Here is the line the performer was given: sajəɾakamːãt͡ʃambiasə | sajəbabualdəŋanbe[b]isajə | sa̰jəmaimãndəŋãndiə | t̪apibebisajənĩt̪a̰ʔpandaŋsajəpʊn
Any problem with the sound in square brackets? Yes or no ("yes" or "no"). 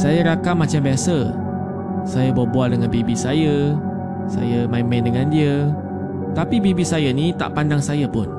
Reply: no